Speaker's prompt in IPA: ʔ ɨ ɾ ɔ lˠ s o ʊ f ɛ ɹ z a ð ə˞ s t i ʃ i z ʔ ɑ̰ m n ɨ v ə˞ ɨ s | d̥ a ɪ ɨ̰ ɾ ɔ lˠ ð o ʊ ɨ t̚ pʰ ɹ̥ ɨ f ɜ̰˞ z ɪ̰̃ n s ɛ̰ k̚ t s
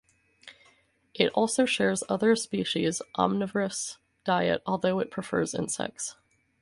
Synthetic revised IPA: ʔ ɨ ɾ ɔ lˠ s o ʊ ʃ ɛ ɹ z ʌ ð ə˞ s p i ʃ i z ʔ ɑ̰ m n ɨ v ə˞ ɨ s | d̥ a ɪ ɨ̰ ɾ ɔ lˠ ð o ʊ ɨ t̚ pʰ ɹ̥ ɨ f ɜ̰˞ z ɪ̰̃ n s ɛ̰ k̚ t s